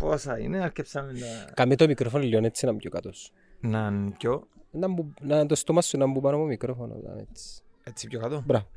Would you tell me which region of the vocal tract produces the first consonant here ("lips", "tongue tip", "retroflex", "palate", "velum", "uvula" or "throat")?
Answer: lips